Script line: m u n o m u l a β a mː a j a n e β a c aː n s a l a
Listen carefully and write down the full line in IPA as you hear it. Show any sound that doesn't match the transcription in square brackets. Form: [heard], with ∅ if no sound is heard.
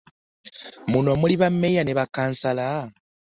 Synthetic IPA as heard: m u n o m u l [i] β a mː [e] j a n e β a [k] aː n s a l a